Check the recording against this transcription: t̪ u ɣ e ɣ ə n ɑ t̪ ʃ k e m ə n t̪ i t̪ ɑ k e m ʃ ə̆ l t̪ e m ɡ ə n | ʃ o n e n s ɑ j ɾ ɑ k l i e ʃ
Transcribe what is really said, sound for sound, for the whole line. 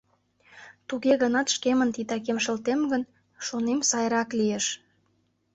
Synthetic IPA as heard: t̪ u ɣ e ɣ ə n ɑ t̪ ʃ k e m ə n t̪ i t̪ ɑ k e m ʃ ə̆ l t̪ e m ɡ ə n | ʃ o n e m s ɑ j ɾ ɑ k l i e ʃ